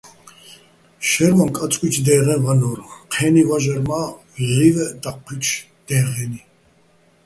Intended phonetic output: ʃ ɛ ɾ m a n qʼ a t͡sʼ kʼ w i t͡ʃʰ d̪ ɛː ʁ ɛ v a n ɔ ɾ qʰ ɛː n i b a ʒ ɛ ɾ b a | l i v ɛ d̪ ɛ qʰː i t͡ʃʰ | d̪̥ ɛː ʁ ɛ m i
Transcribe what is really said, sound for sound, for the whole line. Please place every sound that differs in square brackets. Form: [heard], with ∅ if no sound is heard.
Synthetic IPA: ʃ ɛ ɾ m a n [kʼ] a t͡sʼ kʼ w i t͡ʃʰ d̪ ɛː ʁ ɛ v a n ɔ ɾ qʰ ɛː n i [v] a ʒ ɛ ɾ [m] a | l i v ɛ d̪ [a] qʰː i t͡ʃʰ | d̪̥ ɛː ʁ ɛ [n] i